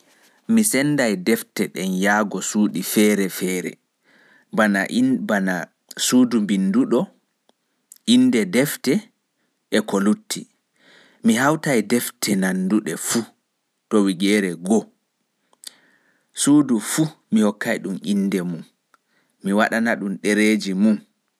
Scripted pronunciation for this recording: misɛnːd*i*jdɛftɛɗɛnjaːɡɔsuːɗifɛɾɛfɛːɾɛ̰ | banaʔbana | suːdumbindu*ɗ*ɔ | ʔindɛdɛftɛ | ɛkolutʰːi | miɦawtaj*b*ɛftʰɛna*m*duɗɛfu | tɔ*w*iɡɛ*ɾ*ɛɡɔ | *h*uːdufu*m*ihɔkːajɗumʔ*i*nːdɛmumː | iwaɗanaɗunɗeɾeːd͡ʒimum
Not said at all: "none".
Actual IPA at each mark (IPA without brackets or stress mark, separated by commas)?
a, ɗ, d, n, w, ɾ, s, m, i